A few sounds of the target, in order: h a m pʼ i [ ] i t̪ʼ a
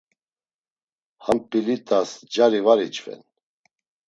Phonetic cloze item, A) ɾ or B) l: B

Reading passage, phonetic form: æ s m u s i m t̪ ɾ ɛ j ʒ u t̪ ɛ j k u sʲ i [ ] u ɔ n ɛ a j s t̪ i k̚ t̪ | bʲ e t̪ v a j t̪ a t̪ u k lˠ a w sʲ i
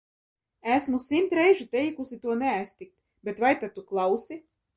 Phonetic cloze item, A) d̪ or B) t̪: B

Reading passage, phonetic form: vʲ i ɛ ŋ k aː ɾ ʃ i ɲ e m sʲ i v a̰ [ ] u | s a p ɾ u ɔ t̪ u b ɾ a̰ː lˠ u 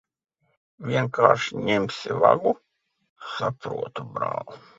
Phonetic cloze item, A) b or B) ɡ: B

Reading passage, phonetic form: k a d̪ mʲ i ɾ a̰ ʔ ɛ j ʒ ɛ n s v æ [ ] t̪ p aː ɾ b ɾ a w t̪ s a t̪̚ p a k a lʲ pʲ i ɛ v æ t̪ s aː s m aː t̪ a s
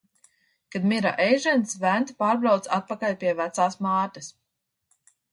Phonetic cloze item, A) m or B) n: B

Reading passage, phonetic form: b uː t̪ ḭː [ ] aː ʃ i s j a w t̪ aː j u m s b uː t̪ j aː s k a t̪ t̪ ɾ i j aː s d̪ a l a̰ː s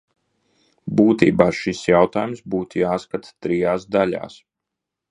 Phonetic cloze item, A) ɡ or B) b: B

